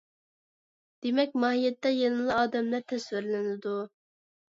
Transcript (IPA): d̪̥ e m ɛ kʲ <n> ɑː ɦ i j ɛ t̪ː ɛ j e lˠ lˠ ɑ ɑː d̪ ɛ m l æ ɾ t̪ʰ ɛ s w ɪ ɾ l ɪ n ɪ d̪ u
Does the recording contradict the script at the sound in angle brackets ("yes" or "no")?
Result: yes